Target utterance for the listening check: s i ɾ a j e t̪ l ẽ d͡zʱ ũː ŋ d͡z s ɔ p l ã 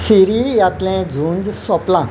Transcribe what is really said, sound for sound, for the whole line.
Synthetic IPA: s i ɾ i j a t̪ l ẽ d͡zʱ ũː n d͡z s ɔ p l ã